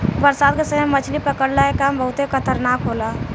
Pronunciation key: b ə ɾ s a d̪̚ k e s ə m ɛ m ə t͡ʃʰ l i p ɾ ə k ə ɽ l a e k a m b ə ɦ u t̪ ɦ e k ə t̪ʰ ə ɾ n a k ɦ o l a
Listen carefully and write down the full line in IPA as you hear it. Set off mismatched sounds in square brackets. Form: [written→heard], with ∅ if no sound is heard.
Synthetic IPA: b ə ɾ s a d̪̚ k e s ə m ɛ m ə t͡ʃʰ l i p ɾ ə k ə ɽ l a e k a m b ə ɦ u t̪ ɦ e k ə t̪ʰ ə ɾ n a k ɦ o l a